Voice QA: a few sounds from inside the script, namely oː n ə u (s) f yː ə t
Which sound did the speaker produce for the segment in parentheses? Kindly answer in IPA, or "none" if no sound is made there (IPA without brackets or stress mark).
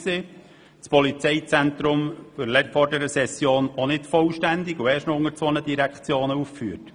f